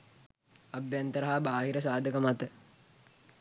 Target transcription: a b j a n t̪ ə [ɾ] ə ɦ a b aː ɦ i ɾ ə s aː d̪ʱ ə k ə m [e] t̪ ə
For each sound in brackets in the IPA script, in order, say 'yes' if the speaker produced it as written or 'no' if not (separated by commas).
yes, no